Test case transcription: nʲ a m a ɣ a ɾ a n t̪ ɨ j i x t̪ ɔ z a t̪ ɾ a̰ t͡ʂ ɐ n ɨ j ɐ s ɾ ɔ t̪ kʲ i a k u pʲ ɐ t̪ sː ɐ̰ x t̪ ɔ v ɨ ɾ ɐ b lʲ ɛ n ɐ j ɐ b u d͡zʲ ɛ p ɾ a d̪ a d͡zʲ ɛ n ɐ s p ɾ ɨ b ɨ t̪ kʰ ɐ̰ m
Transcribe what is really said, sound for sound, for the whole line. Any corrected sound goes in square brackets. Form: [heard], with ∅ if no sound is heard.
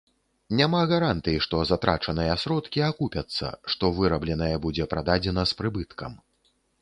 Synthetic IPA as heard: nʲ a m a ɣ a ɾ a n t̪ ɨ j i [ʂ] t̪ ɔ z a t̪ ɾ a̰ t͡ʂ ɐ n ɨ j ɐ s ɾ ɔ t̪ kʲ i a k u pʲ ɐ t̪ sː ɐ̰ [ʂ] t̪ ɔ v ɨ ɾ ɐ b lʲ ɛ n ɐ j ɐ b u d͡zʲ ɛ p ɾ a d̪ a d͡zʲ ɛ n ɐ s p ɾ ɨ b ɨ t̪ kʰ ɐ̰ m